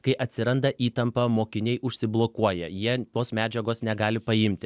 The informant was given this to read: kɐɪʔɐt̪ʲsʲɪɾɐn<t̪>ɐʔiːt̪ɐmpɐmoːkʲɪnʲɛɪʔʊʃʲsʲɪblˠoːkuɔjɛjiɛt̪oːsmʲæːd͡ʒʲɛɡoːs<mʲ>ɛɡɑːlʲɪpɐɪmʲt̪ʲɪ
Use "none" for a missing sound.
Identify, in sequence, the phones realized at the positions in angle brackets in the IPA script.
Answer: d̪, nʲ

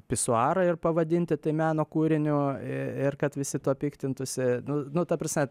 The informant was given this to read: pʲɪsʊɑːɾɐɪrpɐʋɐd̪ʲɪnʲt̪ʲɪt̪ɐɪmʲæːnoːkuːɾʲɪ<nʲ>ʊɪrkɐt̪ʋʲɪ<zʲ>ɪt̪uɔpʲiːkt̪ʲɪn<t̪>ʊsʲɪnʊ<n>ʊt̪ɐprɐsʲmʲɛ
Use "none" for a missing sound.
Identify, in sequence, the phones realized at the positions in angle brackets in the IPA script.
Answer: nʲ, sʲ, t̪, n

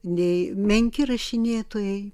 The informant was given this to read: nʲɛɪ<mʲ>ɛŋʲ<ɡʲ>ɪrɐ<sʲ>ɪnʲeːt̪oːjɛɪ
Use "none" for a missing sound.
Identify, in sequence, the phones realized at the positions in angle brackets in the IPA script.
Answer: mʲ, kʲ, ʃʲ

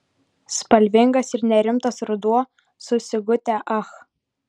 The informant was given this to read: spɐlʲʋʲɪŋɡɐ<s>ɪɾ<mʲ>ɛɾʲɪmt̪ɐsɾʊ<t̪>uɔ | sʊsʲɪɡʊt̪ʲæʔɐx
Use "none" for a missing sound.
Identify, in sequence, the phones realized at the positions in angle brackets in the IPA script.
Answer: s, nʲ, d̪

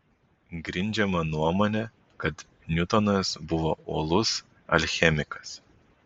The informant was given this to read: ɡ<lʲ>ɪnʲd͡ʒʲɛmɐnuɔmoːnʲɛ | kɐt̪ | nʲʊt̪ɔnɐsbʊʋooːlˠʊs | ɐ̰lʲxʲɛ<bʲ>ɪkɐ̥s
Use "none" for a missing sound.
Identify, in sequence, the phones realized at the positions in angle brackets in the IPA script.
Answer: ɾʲ, mʲ

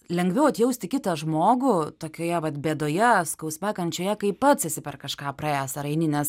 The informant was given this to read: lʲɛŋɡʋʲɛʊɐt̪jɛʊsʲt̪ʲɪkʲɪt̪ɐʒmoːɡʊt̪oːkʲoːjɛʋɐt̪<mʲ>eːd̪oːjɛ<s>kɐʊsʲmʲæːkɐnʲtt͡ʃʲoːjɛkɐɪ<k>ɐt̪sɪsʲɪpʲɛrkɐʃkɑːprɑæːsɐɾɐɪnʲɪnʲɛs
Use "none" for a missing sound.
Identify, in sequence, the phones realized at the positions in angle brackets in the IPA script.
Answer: bʲ, s, p

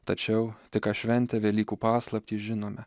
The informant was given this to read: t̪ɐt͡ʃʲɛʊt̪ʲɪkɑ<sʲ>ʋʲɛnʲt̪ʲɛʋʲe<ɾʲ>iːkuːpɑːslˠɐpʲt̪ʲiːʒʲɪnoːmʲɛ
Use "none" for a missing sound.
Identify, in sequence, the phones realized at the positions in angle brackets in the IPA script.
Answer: ʃʲ, lʲ

